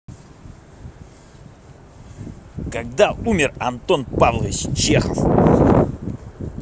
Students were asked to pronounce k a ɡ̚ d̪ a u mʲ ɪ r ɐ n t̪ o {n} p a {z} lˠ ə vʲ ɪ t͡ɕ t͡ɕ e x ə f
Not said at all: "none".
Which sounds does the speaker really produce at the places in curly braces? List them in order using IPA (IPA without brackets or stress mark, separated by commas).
n, v